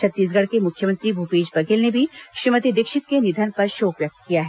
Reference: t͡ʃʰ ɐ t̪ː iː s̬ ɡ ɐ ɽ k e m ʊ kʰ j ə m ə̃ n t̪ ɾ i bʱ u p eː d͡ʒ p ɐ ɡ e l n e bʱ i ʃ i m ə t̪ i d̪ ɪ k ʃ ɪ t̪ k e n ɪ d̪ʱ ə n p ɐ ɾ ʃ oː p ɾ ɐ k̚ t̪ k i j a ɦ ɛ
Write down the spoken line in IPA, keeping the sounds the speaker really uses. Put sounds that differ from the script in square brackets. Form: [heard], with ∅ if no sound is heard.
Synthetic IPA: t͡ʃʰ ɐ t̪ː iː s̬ ɡ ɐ ɽ k e m ʊ kʰ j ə m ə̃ n t̪ ɾ i bʱ u p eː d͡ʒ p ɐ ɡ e l n e bʱ i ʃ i m ə t̪ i d̪ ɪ k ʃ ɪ t̪ k e n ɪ d̪ʱ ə n p ɐ ɾ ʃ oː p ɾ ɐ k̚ t̪ k i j a ɦ ɛ

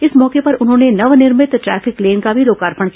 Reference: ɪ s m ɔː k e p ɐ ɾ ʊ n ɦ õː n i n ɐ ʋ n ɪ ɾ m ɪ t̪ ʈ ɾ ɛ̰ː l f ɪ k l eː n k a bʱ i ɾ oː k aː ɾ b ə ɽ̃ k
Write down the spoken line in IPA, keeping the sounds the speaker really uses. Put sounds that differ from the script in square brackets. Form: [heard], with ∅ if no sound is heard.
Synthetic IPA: ɪ s m ɔː k e p ɐ ɾ ʊ n ɦ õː n [e] n ɐ ʋ n ɪ ɾ m ɪ t̪ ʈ ɾ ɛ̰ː [∅] f ɪ k l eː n k a bʱ i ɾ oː k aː ɾ [p] ə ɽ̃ k

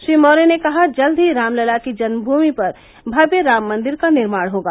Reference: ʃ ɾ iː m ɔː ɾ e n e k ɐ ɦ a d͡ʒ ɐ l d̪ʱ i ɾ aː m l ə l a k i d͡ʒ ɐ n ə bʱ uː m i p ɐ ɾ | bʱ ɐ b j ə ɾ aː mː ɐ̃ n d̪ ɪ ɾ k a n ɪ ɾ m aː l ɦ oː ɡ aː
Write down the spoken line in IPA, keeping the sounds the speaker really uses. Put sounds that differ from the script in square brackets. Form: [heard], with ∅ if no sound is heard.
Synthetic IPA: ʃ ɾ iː m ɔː ɾ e n e k ɐ ɦ a d͡ʒ ɐ l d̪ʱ i ɾ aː m l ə l a k i d͡ʒ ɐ n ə bʱ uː m i p ɐ ɾ | bʱ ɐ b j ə ɾ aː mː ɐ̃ n d̪ ɪ ɾ k a n ɪ ɾ m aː [ɽ] ɦ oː ɡ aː

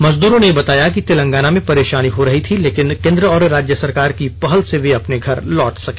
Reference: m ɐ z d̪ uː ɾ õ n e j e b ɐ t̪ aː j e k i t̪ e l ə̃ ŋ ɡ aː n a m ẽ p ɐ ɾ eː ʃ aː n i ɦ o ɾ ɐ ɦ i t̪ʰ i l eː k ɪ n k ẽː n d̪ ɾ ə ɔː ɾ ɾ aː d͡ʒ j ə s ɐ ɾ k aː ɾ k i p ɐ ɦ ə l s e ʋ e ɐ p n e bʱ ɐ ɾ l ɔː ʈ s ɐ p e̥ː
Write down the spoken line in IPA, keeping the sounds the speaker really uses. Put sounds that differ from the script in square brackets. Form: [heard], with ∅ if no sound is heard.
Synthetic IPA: m ɐ z d̪ uː ɾ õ n e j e b ɐ t̪ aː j [a] k i t̪ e l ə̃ ŋ ɡ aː n a m ẽ p ɐ ɾ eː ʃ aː n i ɦ o ɾ ɐ ɦ i t̪ʰ i l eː k ɪ n k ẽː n d̪ ɾ ə ɔː ɾ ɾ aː d͡ʒ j ə s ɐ ɾ k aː ɾ k i p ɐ ɦ ə l s e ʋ e ɐ p n e [ɡʱ] ɐ ɾ l ɔː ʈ s ɐ [k] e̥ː

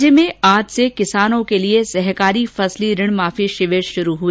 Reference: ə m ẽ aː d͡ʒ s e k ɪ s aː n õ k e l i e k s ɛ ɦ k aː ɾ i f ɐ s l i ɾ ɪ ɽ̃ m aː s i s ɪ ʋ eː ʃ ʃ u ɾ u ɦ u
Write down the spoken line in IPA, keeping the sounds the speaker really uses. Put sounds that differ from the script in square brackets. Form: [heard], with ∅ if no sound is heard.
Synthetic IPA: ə m ẽ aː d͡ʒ s e k ɪ s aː n õ k e l i e [∅] s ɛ ɦ k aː ɾ i f ɐ s l i ɾ ɪ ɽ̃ m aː [f] i [ʃ] ɪ ʋ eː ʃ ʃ [ʊ] ɾ u ɦ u

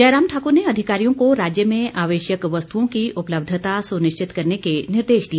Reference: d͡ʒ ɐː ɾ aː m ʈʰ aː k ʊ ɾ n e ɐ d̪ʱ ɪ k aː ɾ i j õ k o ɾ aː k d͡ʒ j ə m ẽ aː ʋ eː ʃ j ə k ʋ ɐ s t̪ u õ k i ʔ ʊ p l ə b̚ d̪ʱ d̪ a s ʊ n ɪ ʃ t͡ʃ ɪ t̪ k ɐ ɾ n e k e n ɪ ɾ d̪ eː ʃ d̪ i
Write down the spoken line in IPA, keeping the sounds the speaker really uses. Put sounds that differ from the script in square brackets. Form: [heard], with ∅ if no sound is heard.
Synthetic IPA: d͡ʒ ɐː ɾ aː m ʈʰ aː k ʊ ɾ n e ɐ d̪ʱ ɪ k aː ɾ i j õ k o ɾ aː [∅] d͡ʒ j ə m ẽ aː ʋ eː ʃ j ə k ʋ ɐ s t̪ u õ k i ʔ ʊ p l ə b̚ d̪ʱ [t̪] a s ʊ n ɪ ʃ t͡ʃ ɪ t̪ k ɐ ɾ n e k e n ɪ ɾ d̪ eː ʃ d̪ i

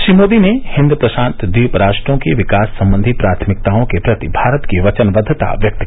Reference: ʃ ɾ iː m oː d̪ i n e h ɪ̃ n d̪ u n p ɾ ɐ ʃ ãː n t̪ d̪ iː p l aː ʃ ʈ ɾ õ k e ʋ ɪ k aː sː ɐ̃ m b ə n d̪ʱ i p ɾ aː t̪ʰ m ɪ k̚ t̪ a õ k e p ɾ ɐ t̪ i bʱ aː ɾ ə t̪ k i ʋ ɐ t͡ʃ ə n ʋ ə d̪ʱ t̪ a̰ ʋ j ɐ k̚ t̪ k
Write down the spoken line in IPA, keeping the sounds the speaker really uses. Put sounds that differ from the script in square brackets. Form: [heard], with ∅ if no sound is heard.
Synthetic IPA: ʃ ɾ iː m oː d̪ i n e h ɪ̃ n d̪ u [∅] p ɾ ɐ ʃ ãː n t̪ d̪ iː p [ɾ] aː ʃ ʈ ɾ õ k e ʋ ɪ k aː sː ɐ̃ m b ə n d̪ʱ i p ɾ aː t̪ʰ m ɪ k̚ t̪ a õ k e p ɾ ɐ t̪ i bʱ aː ɾ ə t̪ k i ʋ ɐ t͡ʃ ə n ʋ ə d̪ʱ t̪ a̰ ʋ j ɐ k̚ t̪ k

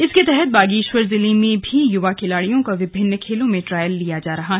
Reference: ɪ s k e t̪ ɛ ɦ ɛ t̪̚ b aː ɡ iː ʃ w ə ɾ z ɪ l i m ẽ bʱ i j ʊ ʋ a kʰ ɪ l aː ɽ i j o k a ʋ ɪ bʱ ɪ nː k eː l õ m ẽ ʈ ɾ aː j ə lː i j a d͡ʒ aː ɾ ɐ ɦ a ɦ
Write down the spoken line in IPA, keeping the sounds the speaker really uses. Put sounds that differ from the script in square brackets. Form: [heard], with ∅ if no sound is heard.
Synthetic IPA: ɪ s k e t̪ ɛ ɦ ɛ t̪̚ b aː ɡ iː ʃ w ə ɾ z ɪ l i m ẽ bʱ i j ʊ ʋ a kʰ ɪ l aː ɽ i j [õ] k a ʋ ɪ bʱ ɪ nː [kʰ] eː l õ m ẽ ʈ ɾ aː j ə lː i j a d͡ʒ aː ɾ ɐ ɦ a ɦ

